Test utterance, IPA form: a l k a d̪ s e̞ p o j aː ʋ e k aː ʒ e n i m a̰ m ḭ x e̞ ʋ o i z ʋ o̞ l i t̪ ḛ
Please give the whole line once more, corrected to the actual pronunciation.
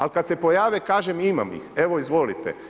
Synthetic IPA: a l k a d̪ s e̞ p o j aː ʋ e k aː ʒ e m i m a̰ m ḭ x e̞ ʋ o i z ʋ o̞ l i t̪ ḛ